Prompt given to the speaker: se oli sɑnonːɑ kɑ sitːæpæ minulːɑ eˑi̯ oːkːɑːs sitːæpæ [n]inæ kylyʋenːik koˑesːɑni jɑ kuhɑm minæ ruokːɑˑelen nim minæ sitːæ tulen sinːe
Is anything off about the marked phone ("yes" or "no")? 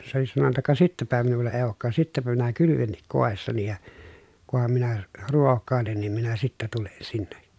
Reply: yes